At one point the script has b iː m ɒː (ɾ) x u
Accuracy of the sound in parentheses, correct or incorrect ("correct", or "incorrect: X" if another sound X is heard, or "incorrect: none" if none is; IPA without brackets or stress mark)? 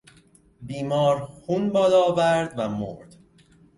correct